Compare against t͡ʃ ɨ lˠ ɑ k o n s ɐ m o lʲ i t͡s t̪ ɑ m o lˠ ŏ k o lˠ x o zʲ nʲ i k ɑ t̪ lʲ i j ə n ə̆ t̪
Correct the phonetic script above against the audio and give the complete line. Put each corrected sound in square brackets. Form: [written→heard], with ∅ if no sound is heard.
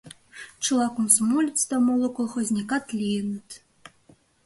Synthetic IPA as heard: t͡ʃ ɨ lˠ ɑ k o [n→m] s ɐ m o lʲ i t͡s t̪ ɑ m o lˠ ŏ k o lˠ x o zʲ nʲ i k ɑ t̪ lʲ i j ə n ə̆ t̪